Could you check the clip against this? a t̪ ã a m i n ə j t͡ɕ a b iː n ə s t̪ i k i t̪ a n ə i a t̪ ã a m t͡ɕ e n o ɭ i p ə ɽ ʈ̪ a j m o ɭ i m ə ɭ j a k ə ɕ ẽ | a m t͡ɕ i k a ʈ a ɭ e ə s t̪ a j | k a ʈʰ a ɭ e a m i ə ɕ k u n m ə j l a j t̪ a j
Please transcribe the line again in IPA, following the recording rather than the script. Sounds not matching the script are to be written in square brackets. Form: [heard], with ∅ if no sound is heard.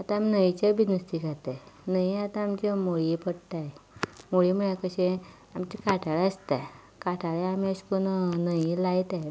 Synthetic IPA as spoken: a t̪ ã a m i n ə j t͡ɕ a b [i] n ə s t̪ i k [a] t̪ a n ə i a t̪ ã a m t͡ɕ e [m] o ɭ i p ə ɽ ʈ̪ a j m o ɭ i m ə ɭ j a k ə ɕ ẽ | a m t͡ɕ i k a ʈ a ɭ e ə s t̪ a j | k a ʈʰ a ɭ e a m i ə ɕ k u n [n] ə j l a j t̪ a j